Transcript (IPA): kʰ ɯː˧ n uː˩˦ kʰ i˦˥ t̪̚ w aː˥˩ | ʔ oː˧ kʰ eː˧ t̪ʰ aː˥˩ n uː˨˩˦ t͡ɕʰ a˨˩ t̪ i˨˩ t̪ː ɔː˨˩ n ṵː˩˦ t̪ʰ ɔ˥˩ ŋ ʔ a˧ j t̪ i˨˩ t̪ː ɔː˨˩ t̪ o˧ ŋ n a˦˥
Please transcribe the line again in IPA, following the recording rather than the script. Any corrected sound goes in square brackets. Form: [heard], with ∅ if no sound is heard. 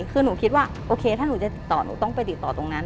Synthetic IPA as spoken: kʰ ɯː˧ n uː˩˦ kʰ i˦˥ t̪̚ w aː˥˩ | ʔ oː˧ kʰ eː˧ t̪ʰ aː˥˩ n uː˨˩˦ [t͡ɕ] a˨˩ t̪ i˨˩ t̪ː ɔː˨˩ n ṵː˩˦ [t̪] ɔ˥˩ ŋ [p] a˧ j t̪ i˨˩ t̪ː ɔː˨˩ t̪ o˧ ŋ n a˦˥